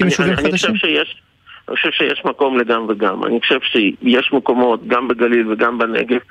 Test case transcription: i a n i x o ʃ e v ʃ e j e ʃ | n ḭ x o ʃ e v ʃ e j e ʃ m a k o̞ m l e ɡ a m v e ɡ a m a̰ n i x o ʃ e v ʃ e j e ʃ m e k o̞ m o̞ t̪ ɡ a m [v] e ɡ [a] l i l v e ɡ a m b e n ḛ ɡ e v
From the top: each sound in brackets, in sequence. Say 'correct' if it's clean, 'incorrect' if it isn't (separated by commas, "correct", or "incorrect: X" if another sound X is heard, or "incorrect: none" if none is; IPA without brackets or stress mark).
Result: incorrect: b, correct